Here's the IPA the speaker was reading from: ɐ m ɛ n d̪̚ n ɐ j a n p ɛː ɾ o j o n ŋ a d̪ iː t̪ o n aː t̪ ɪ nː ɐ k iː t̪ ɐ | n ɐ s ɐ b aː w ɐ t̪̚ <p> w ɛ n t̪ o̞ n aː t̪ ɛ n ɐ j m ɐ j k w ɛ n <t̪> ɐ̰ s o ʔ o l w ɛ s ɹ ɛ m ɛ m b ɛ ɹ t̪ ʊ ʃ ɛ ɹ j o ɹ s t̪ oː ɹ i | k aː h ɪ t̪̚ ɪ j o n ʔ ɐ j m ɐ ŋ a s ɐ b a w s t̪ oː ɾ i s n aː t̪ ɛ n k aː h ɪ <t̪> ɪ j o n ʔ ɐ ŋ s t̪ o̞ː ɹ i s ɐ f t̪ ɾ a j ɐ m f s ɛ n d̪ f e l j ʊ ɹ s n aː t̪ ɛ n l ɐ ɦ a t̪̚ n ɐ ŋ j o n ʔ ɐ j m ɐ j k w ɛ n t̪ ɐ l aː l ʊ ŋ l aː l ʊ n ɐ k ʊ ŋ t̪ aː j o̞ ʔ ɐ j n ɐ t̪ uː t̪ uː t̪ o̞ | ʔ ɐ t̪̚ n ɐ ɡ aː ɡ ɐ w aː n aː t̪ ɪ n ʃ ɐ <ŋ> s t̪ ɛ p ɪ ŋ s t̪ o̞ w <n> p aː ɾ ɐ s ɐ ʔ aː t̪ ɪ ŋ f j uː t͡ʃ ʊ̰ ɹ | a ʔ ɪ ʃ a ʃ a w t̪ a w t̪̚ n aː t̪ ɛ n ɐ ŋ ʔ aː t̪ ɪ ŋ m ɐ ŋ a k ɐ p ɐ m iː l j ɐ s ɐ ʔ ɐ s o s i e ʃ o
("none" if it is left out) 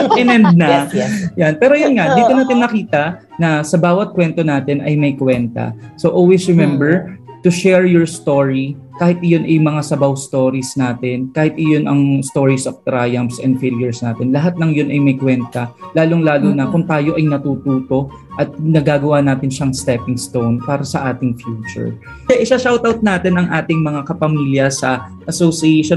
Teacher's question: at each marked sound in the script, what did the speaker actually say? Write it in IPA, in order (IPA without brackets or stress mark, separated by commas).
k, t̪, t̪, ŋ, n